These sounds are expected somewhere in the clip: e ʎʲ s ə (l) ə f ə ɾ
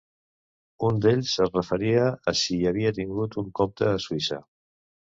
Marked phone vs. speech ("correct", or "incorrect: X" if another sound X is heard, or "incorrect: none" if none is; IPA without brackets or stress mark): incorrect: r